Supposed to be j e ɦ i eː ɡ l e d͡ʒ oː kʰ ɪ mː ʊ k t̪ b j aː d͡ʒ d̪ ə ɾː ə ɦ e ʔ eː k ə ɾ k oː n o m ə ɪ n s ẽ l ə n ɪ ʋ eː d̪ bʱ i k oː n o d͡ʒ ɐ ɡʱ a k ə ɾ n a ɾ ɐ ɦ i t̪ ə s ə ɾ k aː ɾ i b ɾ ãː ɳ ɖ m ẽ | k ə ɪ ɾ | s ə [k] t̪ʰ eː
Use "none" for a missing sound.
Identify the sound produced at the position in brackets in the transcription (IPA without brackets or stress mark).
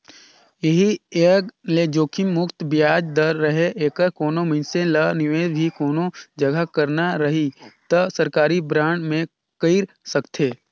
k